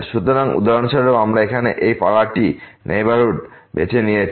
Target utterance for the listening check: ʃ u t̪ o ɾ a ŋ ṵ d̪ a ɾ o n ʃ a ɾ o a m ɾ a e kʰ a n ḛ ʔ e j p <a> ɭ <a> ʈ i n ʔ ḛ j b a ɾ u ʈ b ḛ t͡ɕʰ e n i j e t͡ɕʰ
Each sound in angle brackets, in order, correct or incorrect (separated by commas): correct, correct